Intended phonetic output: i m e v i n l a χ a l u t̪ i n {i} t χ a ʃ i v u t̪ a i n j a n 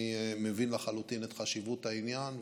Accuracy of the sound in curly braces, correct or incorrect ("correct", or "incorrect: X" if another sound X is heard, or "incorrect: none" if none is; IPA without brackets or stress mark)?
incorrect: e